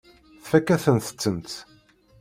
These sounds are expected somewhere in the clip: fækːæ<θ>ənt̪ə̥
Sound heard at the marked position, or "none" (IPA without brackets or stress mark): θ